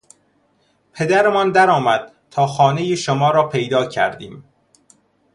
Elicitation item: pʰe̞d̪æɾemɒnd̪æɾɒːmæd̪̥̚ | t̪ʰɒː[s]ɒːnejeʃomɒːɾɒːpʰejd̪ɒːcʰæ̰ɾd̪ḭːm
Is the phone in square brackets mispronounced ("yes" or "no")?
yes